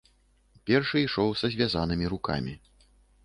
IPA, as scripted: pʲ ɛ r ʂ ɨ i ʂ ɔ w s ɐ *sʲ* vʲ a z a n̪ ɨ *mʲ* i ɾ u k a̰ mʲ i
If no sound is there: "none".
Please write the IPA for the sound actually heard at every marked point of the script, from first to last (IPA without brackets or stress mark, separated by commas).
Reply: zʲ, mʲ